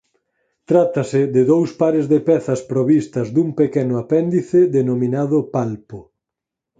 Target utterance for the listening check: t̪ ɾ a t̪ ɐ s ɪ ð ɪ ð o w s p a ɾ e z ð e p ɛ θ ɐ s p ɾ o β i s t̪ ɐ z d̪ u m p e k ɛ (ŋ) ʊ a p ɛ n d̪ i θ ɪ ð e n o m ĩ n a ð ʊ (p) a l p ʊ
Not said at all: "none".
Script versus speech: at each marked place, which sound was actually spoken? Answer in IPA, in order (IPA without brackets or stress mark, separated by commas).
n, p